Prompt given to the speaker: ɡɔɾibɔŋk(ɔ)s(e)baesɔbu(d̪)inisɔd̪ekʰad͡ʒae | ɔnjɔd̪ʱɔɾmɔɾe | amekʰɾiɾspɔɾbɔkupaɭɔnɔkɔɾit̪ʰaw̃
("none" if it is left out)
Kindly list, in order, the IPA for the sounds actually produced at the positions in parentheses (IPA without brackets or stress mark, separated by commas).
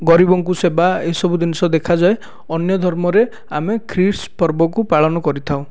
u, e, d̪